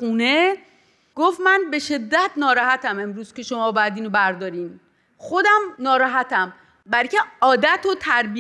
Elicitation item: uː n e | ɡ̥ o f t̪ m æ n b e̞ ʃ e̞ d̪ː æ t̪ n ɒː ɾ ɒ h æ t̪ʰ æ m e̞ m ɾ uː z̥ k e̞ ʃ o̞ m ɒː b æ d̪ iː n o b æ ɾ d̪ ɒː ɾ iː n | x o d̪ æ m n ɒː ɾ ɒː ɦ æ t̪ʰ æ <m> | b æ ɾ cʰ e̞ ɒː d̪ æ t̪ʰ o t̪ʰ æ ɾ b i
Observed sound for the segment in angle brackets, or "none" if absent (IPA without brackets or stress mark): m